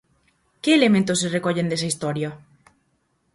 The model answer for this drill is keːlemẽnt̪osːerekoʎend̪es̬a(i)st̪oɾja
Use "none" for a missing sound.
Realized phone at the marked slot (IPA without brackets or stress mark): i